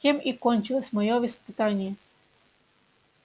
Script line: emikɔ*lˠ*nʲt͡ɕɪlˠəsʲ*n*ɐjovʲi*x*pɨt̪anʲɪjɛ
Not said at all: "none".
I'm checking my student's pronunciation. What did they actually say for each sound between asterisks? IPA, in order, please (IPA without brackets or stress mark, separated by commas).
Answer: none, m, s